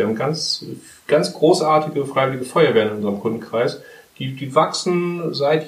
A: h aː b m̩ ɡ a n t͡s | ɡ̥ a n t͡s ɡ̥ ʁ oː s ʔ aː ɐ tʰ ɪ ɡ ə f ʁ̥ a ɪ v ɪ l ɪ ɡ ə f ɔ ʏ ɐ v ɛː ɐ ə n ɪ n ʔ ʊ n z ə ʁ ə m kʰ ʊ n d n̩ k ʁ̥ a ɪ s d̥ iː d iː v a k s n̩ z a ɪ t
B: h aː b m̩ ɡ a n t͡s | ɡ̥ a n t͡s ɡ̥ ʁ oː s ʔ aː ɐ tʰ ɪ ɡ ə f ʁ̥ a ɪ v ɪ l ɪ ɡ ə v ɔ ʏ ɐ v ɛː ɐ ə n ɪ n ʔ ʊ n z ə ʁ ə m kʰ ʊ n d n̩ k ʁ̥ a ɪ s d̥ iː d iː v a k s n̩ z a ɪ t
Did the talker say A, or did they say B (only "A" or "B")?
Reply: A